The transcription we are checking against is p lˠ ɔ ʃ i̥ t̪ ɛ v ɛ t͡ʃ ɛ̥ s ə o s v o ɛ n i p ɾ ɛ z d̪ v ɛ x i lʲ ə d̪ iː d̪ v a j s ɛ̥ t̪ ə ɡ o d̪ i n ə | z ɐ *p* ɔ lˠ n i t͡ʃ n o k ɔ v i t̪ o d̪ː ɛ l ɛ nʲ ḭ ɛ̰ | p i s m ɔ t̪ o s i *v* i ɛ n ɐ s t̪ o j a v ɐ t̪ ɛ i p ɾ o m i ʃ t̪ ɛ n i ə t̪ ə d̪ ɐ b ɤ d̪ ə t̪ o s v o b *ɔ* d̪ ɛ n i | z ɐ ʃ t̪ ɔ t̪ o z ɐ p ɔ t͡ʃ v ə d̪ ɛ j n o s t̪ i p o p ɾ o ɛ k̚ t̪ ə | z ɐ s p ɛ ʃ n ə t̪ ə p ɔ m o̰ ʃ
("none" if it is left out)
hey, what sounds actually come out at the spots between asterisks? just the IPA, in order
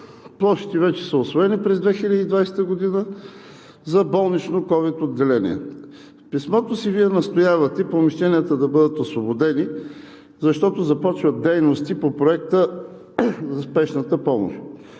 b, v, o

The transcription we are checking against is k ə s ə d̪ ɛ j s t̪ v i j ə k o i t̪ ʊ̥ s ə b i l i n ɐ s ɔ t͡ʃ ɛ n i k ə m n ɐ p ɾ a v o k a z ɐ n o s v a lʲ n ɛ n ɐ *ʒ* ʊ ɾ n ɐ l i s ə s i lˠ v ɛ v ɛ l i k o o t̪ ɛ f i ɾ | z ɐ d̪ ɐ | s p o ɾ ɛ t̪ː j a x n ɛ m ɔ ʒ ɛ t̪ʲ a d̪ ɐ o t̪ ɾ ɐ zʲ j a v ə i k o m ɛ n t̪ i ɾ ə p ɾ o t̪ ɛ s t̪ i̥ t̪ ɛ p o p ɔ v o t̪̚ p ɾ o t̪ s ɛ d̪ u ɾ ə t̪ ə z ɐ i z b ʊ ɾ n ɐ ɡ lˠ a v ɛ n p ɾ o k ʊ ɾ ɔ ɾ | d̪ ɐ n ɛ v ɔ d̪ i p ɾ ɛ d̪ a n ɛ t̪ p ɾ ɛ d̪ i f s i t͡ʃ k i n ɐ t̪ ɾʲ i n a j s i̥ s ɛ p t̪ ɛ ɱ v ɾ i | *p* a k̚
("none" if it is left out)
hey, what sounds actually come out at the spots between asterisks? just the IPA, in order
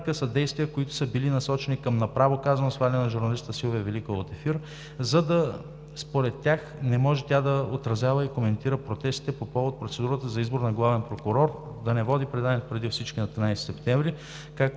ʒ, k

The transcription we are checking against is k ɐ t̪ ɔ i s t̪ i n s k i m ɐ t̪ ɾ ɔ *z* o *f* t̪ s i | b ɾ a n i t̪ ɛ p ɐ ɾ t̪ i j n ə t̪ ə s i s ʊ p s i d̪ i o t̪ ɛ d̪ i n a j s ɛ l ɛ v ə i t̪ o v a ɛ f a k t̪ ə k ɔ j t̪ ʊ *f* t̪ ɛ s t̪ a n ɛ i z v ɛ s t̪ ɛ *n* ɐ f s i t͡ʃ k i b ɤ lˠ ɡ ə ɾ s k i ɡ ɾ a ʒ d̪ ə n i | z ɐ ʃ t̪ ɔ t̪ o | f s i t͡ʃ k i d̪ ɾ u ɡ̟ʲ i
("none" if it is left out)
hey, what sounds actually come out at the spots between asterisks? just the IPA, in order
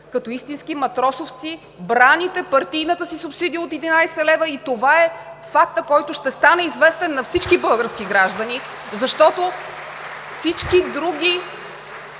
s, f, ʃ, nː

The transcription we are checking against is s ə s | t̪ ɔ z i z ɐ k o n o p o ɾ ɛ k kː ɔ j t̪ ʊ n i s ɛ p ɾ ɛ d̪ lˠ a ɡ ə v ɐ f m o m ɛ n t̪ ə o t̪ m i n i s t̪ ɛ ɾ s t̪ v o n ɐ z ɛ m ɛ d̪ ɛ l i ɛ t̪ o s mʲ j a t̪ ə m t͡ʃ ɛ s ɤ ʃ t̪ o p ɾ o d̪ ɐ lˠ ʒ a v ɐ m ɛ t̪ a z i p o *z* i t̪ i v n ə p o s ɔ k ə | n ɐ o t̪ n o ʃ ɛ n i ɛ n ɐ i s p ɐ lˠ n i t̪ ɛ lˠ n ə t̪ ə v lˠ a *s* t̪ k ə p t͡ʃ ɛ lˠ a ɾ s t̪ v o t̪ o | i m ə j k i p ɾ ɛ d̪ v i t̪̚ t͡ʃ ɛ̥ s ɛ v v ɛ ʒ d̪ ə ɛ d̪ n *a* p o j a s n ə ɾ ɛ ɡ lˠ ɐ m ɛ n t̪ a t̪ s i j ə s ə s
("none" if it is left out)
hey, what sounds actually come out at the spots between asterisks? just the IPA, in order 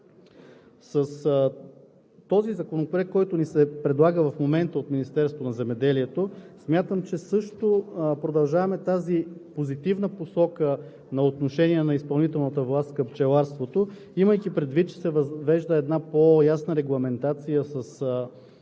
z, s, a

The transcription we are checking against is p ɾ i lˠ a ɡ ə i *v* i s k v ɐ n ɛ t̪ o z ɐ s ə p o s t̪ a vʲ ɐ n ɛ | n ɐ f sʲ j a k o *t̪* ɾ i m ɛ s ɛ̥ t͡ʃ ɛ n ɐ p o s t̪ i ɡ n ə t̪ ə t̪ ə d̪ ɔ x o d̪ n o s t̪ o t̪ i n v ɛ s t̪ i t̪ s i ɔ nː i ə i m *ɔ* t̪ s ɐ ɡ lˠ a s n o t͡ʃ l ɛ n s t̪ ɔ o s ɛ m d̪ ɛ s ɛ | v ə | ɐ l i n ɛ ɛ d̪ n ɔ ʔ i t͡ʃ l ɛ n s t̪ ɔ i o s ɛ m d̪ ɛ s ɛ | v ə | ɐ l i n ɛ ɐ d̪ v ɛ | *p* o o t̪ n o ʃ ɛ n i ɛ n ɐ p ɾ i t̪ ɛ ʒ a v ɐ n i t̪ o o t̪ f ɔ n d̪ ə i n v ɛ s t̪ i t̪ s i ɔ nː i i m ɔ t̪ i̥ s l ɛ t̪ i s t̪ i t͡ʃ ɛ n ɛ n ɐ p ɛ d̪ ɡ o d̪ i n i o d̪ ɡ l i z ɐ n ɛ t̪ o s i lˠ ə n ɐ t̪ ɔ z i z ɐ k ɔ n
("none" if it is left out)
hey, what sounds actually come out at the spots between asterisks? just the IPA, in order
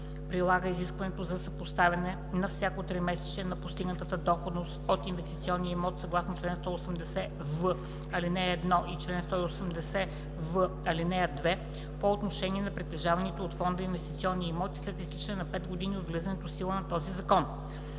z, t̪, ɔ, p

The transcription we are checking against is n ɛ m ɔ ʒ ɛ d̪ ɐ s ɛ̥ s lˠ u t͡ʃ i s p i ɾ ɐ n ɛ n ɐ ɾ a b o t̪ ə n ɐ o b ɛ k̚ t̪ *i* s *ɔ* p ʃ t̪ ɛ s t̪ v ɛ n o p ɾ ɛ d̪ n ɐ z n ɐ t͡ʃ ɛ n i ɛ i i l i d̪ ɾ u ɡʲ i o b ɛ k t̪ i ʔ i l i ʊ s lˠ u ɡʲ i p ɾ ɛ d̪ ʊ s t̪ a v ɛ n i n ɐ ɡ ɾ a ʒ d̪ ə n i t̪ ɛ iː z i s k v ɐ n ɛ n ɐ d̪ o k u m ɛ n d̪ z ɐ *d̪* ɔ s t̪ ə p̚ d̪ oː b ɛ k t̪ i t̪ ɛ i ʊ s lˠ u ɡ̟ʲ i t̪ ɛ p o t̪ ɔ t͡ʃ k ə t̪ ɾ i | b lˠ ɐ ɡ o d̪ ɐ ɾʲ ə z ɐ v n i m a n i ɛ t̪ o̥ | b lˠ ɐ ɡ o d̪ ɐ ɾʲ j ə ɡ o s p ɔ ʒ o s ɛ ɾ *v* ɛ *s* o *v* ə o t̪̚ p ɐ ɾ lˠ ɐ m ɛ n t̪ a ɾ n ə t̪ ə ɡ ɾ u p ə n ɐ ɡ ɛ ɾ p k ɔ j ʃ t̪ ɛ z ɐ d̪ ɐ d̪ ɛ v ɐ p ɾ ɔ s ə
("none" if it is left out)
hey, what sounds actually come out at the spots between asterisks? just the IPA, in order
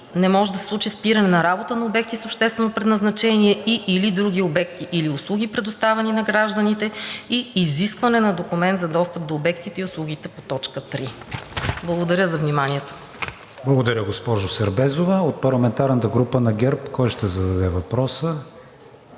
i, o, d̪, b, z, v

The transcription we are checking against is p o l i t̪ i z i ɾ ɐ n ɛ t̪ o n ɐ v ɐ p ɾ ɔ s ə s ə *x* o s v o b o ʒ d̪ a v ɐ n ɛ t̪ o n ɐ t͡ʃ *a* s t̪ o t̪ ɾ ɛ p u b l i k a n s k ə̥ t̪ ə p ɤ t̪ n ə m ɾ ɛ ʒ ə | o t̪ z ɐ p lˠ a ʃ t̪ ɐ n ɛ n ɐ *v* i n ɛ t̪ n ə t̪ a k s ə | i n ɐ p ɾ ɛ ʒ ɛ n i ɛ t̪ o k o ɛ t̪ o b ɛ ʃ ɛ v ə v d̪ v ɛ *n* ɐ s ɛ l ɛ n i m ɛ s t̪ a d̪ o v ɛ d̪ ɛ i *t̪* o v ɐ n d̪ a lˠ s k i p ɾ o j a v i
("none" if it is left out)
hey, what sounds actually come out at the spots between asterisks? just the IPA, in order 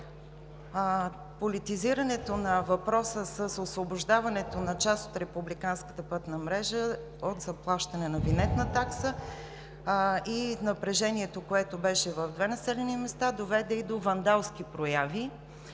s, a, v, n, d̪

